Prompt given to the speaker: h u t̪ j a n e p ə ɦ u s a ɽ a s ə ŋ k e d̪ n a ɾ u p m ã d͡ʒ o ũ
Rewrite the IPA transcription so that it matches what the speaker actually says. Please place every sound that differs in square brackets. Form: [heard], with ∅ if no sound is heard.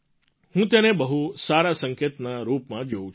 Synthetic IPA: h [ũ] t̪ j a n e [b] ə ɦ u s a [ɾ] a s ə ŋ k e [t̪] n a ɾ u p m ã d͡ʒ o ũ